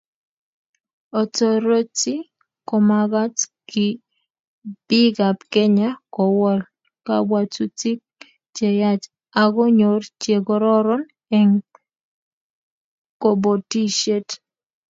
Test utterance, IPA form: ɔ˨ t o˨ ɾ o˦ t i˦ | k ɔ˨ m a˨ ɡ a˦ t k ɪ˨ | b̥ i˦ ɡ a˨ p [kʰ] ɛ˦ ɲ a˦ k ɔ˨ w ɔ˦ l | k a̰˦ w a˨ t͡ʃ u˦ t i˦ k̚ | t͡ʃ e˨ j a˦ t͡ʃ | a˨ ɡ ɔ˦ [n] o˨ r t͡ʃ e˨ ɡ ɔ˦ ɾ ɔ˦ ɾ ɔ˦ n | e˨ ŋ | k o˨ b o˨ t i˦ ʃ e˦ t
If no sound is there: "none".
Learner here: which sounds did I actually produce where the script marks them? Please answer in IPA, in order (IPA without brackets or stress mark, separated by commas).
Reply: k, ɲ